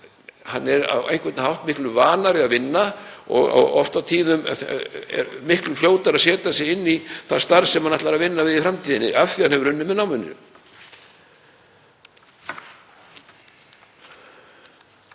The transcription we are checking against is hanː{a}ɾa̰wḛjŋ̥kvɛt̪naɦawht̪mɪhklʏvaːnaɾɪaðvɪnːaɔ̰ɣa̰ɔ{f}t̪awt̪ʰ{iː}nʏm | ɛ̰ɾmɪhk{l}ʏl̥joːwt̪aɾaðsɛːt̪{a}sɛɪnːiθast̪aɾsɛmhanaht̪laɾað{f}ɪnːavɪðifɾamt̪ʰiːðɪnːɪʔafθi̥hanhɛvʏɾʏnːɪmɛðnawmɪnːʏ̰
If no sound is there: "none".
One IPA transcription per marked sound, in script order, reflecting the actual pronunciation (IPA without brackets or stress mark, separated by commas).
ɛ, f, iː, l, a, v